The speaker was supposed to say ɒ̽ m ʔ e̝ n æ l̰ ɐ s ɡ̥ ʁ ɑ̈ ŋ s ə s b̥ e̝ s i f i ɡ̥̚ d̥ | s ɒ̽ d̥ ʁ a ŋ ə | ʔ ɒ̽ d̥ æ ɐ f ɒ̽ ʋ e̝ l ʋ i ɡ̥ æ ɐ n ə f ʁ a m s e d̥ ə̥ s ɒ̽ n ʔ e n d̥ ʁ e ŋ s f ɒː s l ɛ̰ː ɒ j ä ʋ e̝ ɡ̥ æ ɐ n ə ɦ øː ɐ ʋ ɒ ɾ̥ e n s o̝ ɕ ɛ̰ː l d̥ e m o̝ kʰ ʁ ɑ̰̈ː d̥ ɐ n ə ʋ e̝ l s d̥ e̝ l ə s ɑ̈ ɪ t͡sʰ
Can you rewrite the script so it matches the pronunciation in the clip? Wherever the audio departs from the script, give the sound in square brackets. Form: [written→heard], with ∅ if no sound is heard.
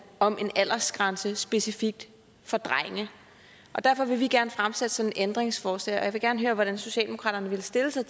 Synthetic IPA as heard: ɒ̽ m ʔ e̝ n æ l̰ ɐ s ɡ̥ ʁ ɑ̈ [ŋ→n] s ə s b̥ e̝ s i f i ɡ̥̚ d̥ | [s→f] ɒ̽ d̥ ʁ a ŋ ə | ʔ ɒ̽ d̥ æ ɐ f ɒ̽ ʋ e̝ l ʋ i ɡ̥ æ ɐ n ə f ʁ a m s e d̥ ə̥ s ɒ̽ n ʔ e n d̥ ʁ e ŋ s f ɒː s l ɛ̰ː ɒ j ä ʋ e̝ ɡ̥ æ ɐ n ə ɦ øː ɐ ʋ ɒ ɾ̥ [e→æ] n s o̝ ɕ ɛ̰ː l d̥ e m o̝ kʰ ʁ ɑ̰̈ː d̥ ɐ n ə ʋ e̝ l s d̥ e̝ l ə s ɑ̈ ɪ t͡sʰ